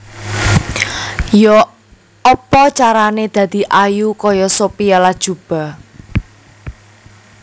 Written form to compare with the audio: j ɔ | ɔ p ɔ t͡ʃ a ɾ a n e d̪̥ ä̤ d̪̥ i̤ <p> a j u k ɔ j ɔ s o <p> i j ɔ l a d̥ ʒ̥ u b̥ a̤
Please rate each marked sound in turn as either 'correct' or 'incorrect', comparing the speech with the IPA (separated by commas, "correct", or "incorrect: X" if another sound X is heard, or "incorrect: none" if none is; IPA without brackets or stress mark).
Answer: incorrect: ʔ, correct